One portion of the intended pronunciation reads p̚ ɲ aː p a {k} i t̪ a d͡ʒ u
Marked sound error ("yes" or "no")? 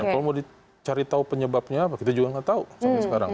no